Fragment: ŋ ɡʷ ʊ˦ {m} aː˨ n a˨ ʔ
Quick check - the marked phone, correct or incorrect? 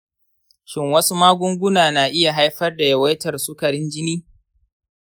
incorrect